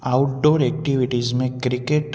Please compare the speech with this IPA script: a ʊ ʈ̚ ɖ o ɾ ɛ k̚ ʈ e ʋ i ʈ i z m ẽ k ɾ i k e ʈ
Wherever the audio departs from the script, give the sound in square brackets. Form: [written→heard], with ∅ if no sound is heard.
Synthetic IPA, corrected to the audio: a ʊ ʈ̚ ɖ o ɾ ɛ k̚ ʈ [e→i] ʋ i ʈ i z m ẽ k ɾ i k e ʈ